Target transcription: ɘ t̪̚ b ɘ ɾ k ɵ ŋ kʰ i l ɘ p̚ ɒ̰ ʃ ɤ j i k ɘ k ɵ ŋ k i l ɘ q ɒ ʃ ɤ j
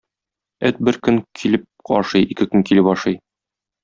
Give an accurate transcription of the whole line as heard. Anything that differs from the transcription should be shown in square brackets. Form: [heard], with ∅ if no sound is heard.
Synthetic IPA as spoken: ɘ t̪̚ b ɘ ɾ k ɵ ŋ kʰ i l ɘ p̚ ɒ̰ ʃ ɤ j i k ɘ k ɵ ŋ k i l ɘ [p] ɒ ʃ ɤ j